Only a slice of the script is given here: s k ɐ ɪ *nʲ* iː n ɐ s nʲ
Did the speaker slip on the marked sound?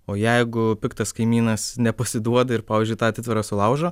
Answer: yes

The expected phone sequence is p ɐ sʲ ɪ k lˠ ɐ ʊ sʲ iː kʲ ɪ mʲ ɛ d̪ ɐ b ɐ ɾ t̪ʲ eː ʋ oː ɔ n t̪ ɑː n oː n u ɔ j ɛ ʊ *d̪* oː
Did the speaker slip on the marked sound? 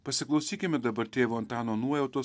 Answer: yes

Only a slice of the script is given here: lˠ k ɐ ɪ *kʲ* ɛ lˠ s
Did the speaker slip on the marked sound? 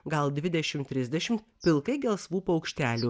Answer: yes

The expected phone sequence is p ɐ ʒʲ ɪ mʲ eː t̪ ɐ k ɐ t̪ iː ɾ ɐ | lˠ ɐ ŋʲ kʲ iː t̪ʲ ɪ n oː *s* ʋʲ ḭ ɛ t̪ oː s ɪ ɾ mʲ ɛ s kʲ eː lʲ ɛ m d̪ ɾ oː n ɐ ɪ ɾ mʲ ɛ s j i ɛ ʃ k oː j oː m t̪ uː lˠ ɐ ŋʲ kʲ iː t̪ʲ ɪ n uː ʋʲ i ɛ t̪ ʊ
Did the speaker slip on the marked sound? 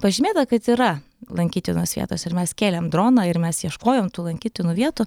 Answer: no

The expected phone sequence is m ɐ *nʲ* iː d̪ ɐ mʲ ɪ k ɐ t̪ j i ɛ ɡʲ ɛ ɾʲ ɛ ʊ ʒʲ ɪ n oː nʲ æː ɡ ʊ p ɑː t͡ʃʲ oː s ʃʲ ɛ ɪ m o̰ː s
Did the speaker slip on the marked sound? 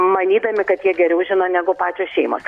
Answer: no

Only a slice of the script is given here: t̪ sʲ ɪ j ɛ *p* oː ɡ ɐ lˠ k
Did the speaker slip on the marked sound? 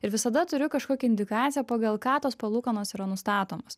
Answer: no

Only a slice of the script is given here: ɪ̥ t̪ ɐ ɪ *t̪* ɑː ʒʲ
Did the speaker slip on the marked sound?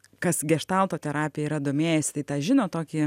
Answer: no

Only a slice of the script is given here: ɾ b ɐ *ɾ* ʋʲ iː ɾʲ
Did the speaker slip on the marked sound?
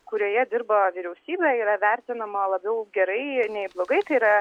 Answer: yes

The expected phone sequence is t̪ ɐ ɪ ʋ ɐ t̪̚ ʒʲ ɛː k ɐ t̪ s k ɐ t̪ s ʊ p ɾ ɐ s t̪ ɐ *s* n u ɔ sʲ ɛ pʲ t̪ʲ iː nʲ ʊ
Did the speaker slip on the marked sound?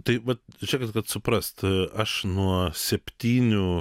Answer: yes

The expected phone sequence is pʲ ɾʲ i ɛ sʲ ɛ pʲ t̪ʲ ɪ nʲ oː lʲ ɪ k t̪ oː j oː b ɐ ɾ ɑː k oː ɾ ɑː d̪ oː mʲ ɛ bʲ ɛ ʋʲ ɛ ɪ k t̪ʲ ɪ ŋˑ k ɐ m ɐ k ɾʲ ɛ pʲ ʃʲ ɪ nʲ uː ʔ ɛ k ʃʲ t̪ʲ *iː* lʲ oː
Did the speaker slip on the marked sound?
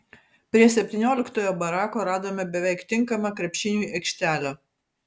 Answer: yes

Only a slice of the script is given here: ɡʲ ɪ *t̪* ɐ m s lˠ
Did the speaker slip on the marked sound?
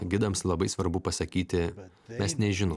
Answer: yes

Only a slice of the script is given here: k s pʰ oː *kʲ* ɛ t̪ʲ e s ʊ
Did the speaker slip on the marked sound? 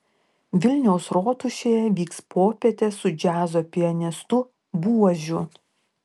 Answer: yes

